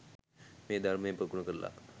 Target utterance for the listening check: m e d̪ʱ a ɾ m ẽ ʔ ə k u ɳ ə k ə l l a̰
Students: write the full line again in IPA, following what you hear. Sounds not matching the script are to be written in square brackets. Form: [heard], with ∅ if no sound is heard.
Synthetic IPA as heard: m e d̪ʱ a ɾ m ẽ [p] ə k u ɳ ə k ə [ɾ] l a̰